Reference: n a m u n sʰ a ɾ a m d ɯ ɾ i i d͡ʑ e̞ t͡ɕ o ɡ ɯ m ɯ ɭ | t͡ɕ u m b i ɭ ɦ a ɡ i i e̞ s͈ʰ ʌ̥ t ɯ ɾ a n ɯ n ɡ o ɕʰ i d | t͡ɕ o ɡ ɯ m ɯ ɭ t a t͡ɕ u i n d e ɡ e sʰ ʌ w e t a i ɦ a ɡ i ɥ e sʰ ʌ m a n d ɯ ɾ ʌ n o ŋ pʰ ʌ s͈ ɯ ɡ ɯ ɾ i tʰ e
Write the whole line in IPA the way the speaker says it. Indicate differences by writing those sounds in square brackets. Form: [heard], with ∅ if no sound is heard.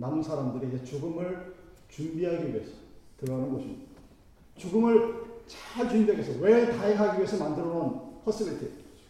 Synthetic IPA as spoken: n a m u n sʰ a ɾ a m d ɯ ɾ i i d͡ʑ e̞ t͡ɕ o ɡ ɯ m ɯ ɭ | t͡ɕ u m b i [∅] ɦ a ɡ i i e̞ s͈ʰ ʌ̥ t ɯ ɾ a n ɯ n ɡ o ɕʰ i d | t͡ɕ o ɡ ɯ m ɯ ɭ [t͡ɕ] a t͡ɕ u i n d e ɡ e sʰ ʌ w e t a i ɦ a ɡ i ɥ e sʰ ʌ m a n d ɯ ɾ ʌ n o [n] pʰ ʌ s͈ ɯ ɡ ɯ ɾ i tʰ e